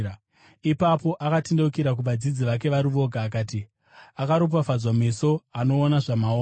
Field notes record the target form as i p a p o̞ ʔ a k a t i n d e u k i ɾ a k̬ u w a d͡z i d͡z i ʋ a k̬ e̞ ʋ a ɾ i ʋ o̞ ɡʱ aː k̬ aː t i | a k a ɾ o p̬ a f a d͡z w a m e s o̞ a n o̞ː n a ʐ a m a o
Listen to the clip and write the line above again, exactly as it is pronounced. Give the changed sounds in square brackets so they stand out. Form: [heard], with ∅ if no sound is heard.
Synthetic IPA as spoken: i p a p o̞ ʔ a k a t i n d e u k i ɾ a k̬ u [ʋ] a d͡z i d͡z i ʋ a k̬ e̞ ʋ a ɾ i ʋ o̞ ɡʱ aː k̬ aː t i | a k a ɾ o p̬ a f a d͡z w a m e s o̞ a n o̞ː n a ʐ a m a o